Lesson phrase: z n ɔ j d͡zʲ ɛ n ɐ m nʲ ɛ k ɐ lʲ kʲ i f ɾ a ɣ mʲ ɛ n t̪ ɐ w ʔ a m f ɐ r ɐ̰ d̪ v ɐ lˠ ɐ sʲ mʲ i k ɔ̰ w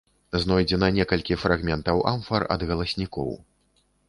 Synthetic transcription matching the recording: z n ɔ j d͡zʲ ɛ n ɐ nʲ ɛ k ɐ lʲ kʲ i f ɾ a ɣ mʲ ɛ n t̪ ɐ w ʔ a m f ɐ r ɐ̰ d̪ ɣ ɐ lˠ ɐ sʲ nʲ i k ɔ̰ w